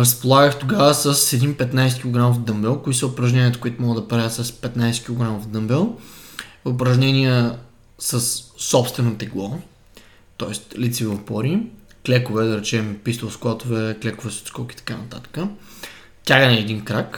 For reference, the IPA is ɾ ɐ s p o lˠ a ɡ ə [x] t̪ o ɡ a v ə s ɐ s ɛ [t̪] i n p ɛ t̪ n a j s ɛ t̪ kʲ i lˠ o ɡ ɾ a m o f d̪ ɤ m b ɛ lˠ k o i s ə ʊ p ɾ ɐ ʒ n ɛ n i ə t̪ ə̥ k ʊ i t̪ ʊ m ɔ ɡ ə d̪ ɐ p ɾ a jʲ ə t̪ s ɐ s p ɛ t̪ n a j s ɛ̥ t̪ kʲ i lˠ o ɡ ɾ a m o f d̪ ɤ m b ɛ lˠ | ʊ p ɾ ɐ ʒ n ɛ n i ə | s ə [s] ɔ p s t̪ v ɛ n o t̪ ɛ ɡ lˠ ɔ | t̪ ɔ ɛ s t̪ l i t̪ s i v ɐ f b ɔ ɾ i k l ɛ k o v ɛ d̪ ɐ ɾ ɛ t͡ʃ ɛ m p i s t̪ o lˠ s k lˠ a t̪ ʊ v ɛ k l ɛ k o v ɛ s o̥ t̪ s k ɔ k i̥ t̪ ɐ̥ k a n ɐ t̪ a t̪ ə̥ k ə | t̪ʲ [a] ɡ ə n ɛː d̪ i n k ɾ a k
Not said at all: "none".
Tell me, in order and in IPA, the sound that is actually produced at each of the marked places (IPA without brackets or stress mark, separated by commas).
x, d̪, sː, a